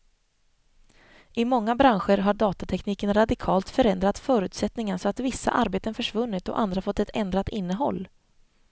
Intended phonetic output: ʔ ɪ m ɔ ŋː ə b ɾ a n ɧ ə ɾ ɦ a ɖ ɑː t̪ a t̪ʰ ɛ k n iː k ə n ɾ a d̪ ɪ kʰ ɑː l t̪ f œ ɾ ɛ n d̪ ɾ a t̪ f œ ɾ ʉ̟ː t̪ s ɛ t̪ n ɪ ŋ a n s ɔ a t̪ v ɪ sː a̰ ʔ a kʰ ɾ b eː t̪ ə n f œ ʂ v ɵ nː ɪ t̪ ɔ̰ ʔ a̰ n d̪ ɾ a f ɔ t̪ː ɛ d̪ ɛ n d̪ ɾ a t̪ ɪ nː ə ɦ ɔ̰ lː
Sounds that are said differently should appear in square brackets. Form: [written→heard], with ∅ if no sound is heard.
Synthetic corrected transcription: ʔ ɪ m ɔ ŋː [ə→a] b ɾ a n ɧ ə ɾ ɦ a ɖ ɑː t̪ a t̪ʰ ɛ k n iː k ə n ɾ a d̪ ɪ kʰ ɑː l t̪ f œ ɾ ɛ n d̪ ɾ a t̪ f [œ→œː] ɾ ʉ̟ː t̪ s ɛ t̪ n ɪ ŋ a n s ɔ a t̪ v ɪ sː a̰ ʔ a [kʰ→∅] ɾ b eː t̪ ə n f œ ʂ v ɵ nː ɪ t̪ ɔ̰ ʔ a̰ n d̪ ɾ a f ɔ t̪ː ɛ [d̪→t̪] ɛ n d̪ ɾ a t̪ ɪ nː ə ɦ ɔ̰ lː